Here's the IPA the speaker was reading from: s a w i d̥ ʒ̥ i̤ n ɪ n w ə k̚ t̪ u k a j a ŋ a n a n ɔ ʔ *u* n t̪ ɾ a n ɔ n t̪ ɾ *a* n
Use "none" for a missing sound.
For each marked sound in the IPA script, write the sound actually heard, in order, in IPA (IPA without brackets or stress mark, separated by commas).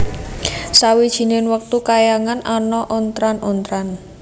ɔ, a